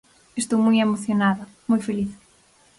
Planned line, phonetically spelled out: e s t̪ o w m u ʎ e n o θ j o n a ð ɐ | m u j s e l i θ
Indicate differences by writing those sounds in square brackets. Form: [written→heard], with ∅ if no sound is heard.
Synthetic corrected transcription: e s t̪ o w m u [ʎ→j] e [n→m] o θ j o n a ð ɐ | m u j [s→f] e l i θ